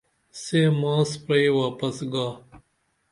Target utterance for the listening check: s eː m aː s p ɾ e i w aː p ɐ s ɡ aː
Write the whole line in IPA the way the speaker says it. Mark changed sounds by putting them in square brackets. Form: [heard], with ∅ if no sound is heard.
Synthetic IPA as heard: s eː m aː s p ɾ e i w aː p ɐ s ɡ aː